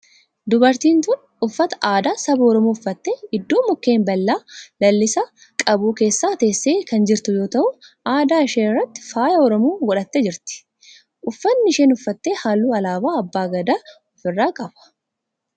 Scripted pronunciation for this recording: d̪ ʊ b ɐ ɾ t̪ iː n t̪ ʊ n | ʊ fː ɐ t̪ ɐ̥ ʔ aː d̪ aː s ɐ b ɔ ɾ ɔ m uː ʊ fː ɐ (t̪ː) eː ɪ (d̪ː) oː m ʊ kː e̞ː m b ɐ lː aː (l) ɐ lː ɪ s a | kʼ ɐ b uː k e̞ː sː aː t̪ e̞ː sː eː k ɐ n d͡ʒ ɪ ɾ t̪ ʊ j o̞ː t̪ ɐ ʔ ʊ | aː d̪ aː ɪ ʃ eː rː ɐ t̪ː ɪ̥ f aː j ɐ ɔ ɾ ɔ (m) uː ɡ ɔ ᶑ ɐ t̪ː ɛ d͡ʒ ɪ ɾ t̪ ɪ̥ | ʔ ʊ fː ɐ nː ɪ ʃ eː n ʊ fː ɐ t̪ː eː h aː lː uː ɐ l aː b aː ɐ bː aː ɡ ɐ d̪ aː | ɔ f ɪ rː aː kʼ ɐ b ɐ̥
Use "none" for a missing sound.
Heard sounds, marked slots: t̪ː, d̪ː, l, m

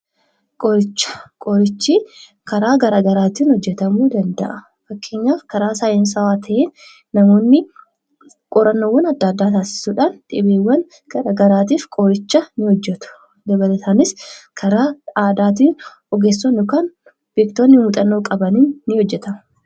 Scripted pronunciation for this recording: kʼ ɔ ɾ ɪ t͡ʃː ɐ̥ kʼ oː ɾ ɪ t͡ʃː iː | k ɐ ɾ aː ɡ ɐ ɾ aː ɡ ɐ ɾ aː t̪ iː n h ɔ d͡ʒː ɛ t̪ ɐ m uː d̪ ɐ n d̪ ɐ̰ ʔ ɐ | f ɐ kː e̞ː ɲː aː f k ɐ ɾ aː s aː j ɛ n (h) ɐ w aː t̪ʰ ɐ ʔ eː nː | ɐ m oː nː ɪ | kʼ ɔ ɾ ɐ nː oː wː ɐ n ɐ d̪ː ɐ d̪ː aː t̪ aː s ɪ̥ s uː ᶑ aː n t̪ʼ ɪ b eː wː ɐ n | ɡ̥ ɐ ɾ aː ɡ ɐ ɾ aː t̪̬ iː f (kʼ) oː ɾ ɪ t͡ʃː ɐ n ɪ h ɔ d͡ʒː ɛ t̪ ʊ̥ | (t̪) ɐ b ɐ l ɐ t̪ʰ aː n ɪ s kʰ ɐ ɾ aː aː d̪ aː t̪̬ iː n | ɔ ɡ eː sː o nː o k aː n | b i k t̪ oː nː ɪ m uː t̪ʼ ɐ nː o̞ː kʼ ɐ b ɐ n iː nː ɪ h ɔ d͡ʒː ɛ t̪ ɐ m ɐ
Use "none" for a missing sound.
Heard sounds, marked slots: s, kʼ, d̪

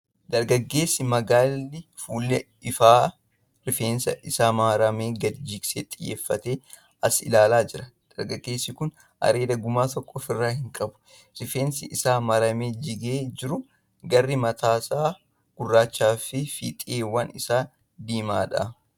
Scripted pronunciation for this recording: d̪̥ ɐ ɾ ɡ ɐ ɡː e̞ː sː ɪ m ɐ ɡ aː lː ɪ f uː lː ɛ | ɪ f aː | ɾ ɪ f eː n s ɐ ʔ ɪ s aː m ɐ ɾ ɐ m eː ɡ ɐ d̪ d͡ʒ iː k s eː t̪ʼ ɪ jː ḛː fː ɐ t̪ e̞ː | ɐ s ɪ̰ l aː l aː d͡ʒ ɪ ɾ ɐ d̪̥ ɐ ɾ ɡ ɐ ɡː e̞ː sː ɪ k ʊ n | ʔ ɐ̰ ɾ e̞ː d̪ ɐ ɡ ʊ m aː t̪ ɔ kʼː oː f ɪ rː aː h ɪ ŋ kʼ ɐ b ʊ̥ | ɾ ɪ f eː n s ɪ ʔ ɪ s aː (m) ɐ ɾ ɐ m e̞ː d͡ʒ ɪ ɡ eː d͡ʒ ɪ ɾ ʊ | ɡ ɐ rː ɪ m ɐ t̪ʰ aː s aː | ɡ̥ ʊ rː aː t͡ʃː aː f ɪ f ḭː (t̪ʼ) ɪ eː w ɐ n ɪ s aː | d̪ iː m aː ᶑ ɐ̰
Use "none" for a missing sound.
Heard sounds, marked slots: m, t̪ʼ

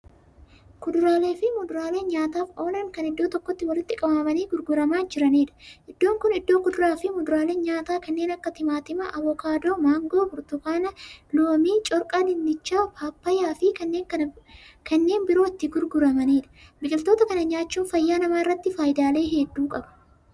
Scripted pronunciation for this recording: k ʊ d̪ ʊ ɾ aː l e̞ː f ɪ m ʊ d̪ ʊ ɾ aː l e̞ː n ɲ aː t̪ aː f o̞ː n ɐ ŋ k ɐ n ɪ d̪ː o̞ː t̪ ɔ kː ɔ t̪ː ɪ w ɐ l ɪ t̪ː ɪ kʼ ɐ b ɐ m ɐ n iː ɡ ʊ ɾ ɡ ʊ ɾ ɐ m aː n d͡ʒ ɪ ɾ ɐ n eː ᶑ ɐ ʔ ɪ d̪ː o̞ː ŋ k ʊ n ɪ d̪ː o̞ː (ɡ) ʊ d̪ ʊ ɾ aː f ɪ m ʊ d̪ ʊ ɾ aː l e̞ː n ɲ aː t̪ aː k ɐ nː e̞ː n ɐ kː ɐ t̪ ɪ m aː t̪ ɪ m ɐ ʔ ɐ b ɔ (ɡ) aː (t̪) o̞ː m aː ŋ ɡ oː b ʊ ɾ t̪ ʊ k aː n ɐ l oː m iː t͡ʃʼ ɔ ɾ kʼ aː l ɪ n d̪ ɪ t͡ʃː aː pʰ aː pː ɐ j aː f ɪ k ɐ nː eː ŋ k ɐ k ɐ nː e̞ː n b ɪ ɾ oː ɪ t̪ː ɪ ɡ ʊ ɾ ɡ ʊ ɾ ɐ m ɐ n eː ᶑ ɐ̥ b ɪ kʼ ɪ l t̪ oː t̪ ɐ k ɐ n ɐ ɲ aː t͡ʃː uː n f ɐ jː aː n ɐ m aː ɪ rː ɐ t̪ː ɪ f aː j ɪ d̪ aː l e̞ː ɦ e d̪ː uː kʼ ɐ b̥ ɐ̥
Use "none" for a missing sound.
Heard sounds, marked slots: k, k, d̪

